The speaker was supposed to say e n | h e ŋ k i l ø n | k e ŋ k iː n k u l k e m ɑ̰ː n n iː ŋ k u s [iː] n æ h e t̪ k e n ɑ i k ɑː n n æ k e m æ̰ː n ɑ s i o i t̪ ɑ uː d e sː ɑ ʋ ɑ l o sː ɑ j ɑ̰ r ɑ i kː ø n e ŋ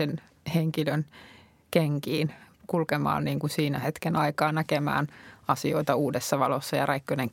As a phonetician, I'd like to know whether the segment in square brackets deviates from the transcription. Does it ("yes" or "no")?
no